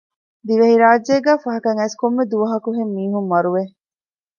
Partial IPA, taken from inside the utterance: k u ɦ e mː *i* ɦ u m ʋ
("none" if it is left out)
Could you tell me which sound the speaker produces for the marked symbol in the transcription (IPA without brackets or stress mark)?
iː